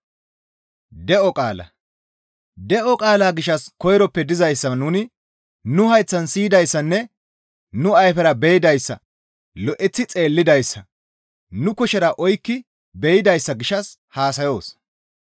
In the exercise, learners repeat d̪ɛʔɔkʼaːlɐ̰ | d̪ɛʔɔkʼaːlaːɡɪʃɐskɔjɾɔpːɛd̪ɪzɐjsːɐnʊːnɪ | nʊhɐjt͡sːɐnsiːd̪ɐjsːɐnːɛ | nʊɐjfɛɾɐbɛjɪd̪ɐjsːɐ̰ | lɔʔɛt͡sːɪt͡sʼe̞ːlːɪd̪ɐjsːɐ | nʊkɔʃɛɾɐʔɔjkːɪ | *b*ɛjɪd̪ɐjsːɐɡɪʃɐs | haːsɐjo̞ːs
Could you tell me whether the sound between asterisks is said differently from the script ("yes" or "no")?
no